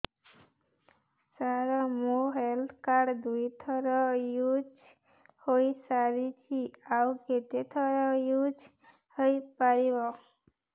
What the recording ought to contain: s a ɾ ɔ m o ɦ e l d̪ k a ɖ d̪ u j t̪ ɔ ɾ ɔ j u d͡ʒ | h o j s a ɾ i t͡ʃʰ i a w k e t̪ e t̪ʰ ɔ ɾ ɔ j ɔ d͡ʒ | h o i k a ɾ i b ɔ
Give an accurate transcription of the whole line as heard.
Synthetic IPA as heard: s a ɾ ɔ m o ɦ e l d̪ k a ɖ d̪ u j t̪ʰ ɔ ɾ ɔ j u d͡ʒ | h o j s a ɾ i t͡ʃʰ i a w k e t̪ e t̪ʰ ɔ ɾ ɔ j u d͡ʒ | h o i p a ɾ i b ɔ